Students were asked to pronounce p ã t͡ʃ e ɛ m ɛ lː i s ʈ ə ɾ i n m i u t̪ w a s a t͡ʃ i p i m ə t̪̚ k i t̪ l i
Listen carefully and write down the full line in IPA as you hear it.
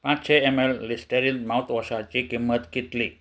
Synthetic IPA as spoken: p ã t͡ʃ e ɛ m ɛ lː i s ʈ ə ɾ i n m a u t̪ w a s a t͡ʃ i k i m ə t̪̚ k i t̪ l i